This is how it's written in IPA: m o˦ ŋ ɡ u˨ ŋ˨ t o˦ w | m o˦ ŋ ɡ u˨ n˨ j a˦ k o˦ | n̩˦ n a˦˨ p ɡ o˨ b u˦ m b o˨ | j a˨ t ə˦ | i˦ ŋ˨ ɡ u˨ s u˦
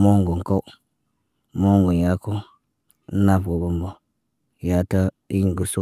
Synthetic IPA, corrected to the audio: m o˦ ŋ ɡ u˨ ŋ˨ k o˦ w | m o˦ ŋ ɡ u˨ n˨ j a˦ k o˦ | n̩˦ n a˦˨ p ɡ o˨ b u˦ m b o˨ | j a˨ t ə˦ | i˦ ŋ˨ ɡ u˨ s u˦